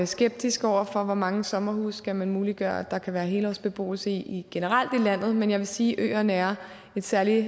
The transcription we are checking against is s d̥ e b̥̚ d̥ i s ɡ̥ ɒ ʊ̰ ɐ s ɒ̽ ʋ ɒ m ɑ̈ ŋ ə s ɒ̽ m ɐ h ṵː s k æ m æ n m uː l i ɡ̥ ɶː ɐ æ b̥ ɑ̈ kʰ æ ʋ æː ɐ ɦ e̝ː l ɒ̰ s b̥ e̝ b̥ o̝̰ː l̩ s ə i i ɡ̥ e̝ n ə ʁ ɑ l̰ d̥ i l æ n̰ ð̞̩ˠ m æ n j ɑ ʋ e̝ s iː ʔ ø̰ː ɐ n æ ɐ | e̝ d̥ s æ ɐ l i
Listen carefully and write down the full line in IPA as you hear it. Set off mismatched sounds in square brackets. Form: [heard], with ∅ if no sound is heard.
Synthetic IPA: s [ɡ̥] e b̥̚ d̥ i s ɡ̥ ɒ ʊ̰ ɐ [f] ɒ̽ ʋ ɒ m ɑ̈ ŋ ə s ɒ̽ m ɐ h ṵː s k æ m æ n m uː l i ɡ̥ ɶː ɐ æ [d̥] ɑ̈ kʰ æ ʋ æː ɐ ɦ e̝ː l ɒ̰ s b̥ e̝ b̥ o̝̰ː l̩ s ə i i ɡ̥ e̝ n ə ʁ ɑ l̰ d̥ i l æ n̰ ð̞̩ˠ m [e] n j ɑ ʋ e̝ s iː ʔ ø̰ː ɐ n æ ɐ | e̝ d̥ s æ ɐ l i